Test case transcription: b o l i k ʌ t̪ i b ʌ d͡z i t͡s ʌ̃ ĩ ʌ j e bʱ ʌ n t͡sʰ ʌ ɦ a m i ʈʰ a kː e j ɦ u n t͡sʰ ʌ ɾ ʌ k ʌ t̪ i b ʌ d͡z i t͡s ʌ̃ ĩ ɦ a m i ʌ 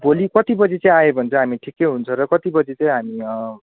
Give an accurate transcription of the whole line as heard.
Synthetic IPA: b o l i k ʌ t̪ i b ʌ d͡z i t͡s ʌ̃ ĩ a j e bʱ ʌ n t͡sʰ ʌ ɦ a m i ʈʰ i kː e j ɦ u n t͡sʰ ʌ ɾ ʌ k ʌ t̪ i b ʌ d͡z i t͡s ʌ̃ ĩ ɦ a m i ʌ